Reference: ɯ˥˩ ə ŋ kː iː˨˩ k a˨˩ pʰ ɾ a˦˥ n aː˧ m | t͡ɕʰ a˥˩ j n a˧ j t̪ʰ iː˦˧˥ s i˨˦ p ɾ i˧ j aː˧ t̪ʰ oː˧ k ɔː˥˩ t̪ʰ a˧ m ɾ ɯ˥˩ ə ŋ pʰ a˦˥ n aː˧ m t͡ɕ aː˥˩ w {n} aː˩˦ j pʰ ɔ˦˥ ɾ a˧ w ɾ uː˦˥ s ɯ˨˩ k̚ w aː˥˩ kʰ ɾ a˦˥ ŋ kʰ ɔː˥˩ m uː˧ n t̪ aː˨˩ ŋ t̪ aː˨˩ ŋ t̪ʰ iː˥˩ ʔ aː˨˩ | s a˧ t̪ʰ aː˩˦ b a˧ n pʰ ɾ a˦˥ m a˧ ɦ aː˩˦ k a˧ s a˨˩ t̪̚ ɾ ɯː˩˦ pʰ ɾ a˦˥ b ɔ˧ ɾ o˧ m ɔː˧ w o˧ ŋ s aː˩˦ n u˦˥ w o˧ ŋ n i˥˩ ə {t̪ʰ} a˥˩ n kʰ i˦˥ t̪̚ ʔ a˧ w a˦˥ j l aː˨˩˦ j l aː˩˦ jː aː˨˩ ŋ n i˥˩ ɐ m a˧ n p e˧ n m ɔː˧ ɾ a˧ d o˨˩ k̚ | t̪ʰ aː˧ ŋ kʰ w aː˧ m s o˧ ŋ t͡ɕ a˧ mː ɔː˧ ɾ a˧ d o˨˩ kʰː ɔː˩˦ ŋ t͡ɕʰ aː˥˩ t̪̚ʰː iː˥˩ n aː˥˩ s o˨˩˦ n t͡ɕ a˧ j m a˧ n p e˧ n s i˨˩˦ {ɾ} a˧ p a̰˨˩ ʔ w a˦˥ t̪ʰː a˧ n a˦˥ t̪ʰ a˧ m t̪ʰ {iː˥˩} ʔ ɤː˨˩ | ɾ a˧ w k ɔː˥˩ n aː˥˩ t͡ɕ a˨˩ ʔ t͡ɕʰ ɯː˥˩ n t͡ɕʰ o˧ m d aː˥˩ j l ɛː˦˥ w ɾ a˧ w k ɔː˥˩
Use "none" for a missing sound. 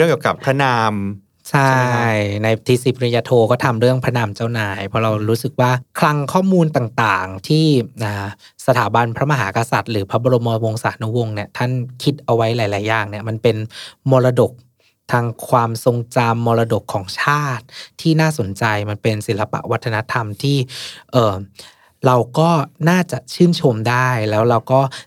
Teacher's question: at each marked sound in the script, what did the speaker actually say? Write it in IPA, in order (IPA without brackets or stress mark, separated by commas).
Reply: n, t̪ʰ, l, iː˥˩